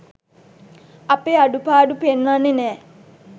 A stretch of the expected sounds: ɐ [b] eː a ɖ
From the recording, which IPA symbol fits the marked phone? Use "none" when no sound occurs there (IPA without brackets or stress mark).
p